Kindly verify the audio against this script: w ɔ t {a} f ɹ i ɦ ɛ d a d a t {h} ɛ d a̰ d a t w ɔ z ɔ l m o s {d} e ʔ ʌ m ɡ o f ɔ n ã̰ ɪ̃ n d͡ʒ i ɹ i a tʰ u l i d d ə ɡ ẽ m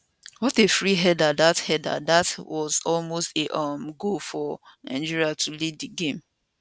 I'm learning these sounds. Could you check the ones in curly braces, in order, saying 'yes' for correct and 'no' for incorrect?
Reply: no, yes, no

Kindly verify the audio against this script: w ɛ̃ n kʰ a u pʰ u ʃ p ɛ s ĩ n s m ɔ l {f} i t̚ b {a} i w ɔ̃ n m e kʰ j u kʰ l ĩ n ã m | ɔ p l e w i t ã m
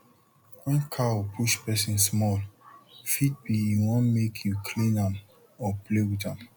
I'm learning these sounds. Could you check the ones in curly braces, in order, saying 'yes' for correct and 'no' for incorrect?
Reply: yes, no

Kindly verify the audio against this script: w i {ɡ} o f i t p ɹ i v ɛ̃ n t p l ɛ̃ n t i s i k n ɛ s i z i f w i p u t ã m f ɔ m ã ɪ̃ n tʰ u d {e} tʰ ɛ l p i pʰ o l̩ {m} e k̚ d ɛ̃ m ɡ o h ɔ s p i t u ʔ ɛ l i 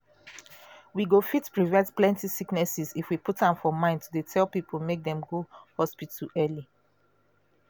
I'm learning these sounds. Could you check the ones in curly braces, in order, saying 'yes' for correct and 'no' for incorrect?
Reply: yes, yes, yes

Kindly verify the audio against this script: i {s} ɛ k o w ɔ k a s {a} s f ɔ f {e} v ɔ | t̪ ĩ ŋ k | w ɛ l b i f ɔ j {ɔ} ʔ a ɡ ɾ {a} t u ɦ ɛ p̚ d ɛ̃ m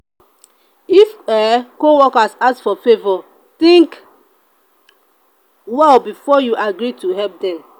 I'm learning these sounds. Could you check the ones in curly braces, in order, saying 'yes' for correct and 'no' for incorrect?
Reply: no, yes, yes, no, no

